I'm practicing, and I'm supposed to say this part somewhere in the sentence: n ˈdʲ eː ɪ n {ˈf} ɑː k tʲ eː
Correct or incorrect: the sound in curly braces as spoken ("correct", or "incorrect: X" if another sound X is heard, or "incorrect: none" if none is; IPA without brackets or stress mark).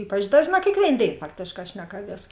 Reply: correct